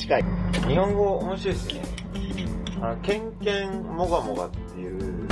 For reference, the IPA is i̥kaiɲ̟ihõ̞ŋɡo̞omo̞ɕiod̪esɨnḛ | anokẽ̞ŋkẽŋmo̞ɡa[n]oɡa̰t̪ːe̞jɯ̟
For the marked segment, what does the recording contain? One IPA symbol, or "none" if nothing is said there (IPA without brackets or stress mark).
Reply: m